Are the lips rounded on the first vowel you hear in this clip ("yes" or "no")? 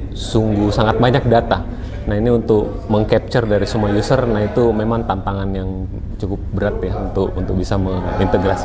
yes